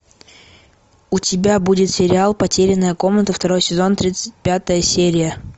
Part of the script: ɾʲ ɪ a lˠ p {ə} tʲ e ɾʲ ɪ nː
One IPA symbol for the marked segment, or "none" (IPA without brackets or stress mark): ɐ